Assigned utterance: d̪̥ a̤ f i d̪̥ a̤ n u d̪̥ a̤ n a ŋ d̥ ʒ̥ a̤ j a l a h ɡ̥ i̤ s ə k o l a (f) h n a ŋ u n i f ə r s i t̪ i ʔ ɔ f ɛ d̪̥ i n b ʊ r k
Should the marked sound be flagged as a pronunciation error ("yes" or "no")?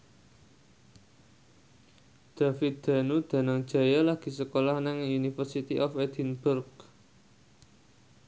yes